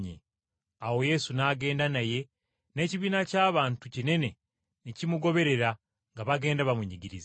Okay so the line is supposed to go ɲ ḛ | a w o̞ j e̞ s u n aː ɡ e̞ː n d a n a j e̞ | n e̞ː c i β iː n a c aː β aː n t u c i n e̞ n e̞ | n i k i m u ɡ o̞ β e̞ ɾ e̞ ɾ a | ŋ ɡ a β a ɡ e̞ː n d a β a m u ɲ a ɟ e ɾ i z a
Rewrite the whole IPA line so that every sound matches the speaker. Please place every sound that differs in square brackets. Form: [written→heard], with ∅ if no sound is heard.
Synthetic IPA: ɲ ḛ | a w o̞ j e̞ s u n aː ɡ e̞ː n d a n a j e̞ | n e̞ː c i β iː n a c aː β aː n t u c i n e̞ n e̞ | n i [k→c] i m u ɡ o̞ β e̞ ɾ e̞ ɾ a | ŋ ɡ a β a ɡ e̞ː n d a β a m u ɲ [a→i] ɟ [e→i] ɾ i z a